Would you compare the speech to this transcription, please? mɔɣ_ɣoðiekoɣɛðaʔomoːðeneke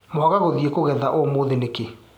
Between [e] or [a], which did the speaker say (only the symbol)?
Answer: a